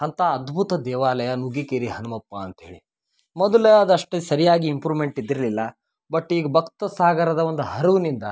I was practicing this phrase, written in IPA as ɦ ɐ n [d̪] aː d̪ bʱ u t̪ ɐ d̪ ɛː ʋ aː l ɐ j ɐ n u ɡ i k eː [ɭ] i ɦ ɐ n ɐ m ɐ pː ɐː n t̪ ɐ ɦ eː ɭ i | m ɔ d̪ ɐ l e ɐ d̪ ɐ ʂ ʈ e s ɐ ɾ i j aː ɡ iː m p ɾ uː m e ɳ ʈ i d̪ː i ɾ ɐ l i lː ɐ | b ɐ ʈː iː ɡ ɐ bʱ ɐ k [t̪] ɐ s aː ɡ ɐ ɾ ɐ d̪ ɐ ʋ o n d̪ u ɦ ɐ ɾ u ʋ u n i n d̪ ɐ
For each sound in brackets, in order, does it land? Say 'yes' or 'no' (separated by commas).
no, no, yes